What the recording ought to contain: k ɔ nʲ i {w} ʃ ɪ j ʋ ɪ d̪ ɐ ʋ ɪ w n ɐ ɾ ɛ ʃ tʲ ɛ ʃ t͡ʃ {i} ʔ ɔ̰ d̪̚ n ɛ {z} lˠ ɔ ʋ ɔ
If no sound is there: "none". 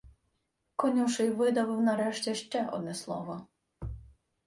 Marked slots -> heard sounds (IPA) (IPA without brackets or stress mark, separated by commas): w, ɛ, s